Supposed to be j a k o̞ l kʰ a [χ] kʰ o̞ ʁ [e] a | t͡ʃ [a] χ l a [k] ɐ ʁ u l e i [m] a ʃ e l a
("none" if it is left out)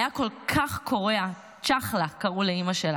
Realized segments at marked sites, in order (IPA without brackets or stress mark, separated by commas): χ, e, a, k, m